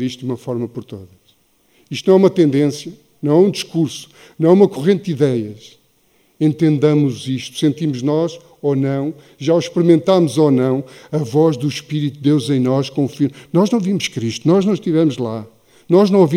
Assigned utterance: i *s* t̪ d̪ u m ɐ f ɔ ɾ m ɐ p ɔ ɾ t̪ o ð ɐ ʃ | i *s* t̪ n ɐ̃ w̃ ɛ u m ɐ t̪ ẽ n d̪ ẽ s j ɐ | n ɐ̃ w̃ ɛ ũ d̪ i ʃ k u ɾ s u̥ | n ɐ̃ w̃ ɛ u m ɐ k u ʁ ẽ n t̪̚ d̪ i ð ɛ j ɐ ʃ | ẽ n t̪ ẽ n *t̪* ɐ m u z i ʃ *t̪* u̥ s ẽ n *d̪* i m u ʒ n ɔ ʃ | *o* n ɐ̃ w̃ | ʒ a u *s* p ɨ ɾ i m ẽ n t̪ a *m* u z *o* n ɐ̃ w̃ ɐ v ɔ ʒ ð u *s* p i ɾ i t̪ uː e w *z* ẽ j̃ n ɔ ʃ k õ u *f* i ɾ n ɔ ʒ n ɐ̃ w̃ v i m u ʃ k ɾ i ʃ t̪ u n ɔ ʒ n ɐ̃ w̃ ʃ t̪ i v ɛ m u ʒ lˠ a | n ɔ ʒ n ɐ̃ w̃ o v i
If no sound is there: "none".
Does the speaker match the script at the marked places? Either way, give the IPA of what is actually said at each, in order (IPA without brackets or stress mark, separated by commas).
ʃ, ʃ, d̪, t̪, t̪, o, ʃ, m, o, ʃ, z, f